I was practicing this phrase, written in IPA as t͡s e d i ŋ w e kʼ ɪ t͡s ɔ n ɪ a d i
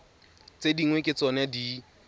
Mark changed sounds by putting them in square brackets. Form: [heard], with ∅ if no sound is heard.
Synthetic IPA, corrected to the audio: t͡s e d i ŋ w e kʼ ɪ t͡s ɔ n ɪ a d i